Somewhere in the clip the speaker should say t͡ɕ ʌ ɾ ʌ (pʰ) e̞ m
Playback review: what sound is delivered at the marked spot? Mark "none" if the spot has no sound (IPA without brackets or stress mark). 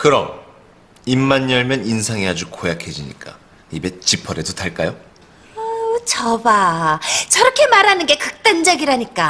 kʰ